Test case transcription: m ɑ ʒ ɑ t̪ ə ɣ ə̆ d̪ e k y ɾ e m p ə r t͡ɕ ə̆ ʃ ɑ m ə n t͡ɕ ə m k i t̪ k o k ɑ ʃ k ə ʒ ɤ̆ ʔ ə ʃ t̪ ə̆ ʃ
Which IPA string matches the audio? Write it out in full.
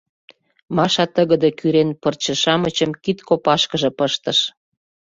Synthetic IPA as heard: m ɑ ʃ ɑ t̪ ə ɣ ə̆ d̪ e k y ɾ e n p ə r t͡ɕ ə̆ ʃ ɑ m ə t͡ɕ ə m k i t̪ k o p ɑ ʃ k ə ʒ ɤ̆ p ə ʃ t̪ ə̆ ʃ

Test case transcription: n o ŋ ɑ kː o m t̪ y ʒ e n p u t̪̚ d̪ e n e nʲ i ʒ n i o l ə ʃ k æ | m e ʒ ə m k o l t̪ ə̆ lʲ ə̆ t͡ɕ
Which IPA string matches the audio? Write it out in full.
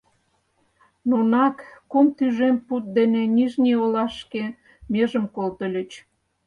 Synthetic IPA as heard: n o n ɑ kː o m t̪ y ʒ e m p u t̪̚ d̪ e n e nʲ i ʒ n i o l ɑ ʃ k e | m e ʒ ə m k o l t̪ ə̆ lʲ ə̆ t͡ɕ

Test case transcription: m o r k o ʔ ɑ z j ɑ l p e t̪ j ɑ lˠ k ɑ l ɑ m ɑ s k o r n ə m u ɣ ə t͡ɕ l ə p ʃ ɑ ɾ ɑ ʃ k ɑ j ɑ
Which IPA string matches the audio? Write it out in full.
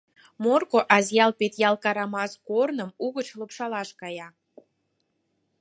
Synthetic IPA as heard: m o r k o ʔ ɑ z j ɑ l p e t̪ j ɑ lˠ k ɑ ɾ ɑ m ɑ s k o r n ə m u ɣ ə t͡ɕ l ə p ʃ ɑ l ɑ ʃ k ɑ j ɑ

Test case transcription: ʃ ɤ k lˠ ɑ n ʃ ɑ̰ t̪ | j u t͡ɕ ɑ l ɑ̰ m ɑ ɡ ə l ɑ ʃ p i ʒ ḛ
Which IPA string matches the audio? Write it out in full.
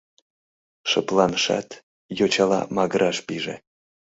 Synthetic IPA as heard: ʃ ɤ p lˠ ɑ n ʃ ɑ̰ t̪ | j o t͡ɕ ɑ l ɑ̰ m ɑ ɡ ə ɾ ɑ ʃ p i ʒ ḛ

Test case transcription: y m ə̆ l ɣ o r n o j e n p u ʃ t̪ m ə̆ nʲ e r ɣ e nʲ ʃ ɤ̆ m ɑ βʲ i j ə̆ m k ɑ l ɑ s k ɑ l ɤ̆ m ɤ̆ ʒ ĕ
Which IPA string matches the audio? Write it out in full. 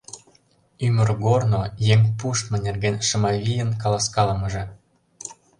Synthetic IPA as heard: y m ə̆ r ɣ o r n o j e ŋ p u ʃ t̪ m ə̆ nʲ e r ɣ e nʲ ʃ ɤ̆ m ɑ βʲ i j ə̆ n k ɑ l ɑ s k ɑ l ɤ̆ m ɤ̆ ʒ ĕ

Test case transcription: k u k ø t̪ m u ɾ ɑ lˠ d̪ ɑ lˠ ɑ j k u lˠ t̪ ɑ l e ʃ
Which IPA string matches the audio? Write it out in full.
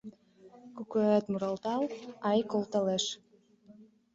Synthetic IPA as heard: k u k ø t̪ m u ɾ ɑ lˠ t̪ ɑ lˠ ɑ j k o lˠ t̪ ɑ l e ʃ

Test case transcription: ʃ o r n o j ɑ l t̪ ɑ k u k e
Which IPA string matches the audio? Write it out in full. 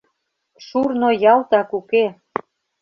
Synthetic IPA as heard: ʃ u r n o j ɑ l t̪ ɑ k u k e

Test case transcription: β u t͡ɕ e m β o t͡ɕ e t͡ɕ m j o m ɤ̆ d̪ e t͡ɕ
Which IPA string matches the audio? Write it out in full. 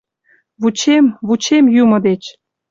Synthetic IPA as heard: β u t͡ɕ e m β u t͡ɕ e m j u m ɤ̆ d̪ e t͡ɕ

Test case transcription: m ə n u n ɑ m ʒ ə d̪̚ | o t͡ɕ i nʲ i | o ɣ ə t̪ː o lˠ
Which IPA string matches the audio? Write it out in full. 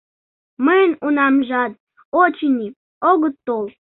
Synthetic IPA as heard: m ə n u n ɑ m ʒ ɑ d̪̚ | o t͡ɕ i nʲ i | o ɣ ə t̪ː o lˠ

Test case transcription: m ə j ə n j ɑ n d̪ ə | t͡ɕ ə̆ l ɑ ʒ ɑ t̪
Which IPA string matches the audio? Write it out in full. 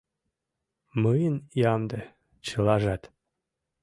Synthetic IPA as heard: m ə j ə n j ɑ m d̪ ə | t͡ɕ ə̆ l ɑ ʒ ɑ t̪

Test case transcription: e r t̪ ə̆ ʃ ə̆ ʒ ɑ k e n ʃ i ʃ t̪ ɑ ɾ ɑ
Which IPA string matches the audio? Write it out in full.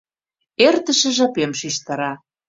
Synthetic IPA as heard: e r t̪ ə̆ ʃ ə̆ ʒ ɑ p e m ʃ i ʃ t̪ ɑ ɾ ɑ

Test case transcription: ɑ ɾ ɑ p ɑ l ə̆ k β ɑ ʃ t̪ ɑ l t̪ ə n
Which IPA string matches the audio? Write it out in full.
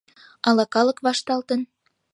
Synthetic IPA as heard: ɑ l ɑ k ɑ l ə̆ k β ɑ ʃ t̪ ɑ l t̪ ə n

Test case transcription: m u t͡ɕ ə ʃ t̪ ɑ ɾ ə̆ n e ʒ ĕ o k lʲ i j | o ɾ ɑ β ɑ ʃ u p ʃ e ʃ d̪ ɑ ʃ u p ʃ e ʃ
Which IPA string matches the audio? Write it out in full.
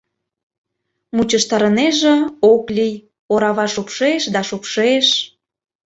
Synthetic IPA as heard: m u t͡ɕ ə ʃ t̪ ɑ ɾ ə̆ n e ʒ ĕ o k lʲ i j | o ɾ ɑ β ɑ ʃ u p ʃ e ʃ d̪ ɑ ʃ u p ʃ e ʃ

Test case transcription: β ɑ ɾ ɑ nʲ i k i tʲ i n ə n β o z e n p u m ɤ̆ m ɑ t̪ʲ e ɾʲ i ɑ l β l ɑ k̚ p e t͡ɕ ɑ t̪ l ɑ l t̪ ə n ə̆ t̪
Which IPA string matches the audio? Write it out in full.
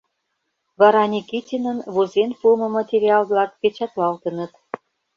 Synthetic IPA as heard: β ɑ ɾ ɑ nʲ i k i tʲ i n ə n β o z e n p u m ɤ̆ m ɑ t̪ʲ e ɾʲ i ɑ l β l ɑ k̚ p e t͡ɕ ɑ t̪ l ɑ l t̪ ə n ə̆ t̪

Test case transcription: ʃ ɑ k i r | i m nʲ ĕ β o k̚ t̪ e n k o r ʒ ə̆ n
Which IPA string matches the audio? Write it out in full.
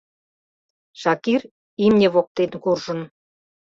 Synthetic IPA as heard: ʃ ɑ k i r | i m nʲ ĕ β o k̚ t̪ e n k u r ʒ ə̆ n

